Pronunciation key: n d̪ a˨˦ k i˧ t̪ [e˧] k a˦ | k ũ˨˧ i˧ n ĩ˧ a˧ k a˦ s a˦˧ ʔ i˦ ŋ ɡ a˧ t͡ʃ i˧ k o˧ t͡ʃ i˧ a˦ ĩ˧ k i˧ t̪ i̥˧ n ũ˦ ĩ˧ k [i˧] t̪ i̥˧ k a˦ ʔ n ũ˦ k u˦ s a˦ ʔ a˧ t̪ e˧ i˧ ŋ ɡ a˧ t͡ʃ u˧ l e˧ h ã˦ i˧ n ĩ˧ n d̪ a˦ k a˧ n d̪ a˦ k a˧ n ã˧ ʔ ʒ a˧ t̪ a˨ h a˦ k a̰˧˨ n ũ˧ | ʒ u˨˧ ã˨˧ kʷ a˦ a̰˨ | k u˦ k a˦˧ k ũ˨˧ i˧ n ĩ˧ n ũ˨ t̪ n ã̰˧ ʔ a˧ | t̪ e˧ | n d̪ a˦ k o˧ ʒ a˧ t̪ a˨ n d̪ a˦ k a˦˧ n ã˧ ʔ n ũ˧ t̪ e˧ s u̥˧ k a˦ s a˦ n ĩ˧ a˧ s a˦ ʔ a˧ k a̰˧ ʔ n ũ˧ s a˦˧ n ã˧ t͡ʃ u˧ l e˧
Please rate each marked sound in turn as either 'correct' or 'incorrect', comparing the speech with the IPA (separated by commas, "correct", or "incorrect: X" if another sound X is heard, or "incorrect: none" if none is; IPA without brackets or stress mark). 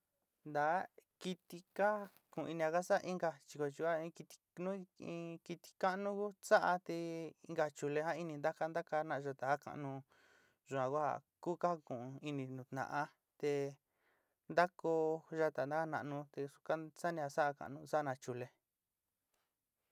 incorrect: i˧, correct